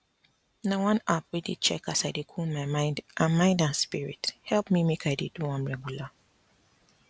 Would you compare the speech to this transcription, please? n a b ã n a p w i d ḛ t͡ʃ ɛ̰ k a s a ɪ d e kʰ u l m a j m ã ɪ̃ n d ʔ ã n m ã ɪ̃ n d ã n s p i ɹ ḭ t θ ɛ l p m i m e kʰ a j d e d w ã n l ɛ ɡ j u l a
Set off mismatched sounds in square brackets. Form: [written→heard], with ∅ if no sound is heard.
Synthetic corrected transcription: n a [b→w] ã n a p w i d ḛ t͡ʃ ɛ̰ k a s a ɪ d e kʰ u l m a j m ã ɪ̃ n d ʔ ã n m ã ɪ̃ n d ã n s p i ɹ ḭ t [θ→h] ɛ l p m i m e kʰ a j d e d [w→u] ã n [l→ɹ] ɛ ɡ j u l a